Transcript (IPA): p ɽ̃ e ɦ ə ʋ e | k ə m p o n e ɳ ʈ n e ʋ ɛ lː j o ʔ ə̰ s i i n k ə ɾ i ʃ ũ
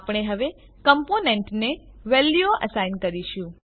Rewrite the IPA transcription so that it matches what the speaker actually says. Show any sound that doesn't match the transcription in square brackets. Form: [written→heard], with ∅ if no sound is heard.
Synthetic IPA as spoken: p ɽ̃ e ɦ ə ʋ e | k ə m p o n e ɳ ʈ n e ʋ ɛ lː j o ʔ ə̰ s [i→a] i n k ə ɾ i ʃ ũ